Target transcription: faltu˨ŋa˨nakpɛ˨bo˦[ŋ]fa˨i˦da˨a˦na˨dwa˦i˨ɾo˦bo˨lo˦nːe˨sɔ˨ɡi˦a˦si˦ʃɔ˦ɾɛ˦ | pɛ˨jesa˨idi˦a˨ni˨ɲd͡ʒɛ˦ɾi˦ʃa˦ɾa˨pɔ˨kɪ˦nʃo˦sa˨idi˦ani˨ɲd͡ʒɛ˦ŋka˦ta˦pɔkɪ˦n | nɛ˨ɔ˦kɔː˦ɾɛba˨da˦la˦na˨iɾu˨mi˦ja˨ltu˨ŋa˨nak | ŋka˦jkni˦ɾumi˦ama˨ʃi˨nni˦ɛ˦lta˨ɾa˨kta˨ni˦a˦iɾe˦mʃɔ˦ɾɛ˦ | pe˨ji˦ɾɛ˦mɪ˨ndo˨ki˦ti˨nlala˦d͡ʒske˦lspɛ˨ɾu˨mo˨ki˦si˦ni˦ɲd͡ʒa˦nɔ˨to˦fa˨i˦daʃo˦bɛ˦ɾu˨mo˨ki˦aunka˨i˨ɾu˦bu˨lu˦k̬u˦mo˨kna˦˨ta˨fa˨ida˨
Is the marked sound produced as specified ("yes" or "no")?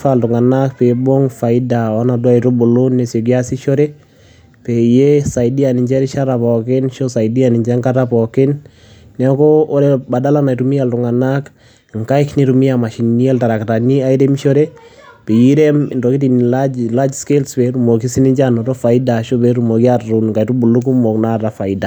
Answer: yes